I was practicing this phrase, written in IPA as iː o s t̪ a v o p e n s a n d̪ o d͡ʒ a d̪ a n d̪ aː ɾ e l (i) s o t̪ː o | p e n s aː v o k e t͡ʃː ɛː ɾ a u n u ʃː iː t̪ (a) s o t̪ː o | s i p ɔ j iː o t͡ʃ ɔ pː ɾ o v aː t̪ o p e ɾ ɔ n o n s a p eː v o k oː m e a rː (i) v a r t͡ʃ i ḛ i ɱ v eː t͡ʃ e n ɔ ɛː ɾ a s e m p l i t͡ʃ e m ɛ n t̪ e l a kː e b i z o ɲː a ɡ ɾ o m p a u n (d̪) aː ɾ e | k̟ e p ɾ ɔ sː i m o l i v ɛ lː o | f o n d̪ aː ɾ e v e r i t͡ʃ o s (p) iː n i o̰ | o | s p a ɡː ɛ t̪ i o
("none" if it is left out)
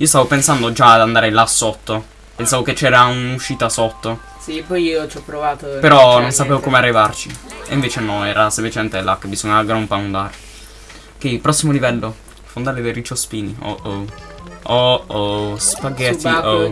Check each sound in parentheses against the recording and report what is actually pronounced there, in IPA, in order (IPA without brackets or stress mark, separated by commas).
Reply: a, a, i, d̪, p